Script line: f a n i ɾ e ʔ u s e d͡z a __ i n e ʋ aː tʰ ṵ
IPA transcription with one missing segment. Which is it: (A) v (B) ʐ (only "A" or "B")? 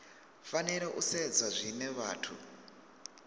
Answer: B